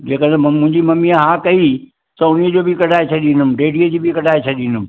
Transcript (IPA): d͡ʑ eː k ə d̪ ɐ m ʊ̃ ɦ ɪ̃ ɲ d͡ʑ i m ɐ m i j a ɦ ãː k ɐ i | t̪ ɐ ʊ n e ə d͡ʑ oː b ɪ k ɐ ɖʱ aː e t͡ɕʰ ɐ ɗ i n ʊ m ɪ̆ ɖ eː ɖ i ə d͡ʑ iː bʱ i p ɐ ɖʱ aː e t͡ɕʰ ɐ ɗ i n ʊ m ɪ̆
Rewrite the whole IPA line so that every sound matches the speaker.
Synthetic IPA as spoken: d͡ʑ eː k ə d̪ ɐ m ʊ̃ ɦ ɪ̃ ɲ d͡ʑ i m ɐ m i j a ɦ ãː k ɐ i | t̪ ɐ ʊ n i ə d͡ʑ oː b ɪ k ɐ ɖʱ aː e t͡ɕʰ ɐ ɗ i n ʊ m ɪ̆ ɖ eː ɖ i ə d͡ʑ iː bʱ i k ɐ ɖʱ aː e t͡ɕʰ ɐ ɗ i n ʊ m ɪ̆